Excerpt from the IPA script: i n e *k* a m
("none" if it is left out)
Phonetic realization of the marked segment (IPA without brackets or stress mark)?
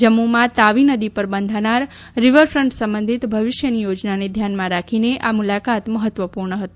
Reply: ʔ